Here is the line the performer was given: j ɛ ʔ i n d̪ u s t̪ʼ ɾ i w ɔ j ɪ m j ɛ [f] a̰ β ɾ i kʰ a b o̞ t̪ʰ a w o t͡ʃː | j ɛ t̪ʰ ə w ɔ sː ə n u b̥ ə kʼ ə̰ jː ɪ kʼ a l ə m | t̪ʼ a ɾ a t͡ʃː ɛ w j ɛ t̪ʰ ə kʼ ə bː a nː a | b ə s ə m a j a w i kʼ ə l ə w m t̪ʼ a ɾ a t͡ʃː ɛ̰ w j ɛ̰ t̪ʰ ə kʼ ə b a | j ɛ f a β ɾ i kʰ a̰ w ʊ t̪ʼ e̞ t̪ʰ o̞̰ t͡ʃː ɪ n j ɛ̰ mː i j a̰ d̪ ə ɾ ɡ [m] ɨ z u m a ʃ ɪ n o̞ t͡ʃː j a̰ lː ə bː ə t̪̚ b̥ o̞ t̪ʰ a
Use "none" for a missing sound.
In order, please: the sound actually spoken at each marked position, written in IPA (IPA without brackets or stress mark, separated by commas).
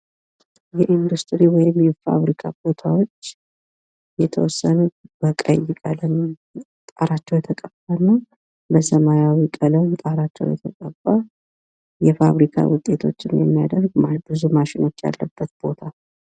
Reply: f, b